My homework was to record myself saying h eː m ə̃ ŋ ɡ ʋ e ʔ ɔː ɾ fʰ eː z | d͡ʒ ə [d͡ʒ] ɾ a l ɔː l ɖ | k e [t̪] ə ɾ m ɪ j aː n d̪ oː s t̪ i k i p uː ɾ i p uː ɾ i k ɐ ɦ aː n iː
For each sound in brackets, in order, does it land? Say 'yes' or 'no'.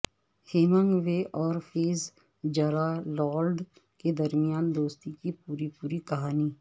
no, no

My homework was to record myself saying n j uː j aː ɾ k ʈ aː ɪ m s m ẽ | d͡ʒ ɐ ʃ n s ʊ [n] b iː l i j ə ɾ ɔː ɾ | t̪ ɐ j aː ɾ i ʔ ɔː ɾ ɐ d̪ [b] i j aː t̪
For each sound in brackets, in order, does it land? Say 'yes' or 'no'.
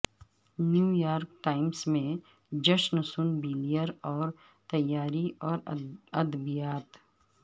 yes, yes

